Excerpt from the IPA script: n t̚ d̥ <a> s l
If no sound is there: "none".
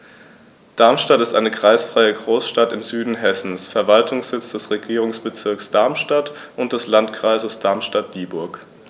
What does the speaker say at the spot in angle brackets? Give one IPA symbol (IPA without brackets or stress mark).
ɛ